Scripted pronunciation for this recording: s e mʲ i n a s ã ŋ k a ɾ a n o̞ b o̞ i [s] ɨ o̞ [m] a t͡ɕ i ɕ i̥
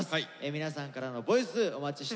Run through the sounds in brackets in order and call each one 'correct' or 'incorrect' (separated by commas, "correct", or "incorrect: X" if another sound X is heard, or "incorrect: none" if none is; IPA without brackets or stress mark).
correct, correct